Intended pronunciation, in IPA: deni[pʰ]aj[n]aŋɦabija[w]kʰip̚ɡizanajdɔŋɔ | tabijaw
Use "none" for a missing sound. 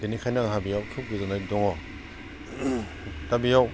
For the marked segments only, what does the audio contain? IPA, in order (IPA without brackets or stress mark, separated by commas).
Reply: kʰ, n, w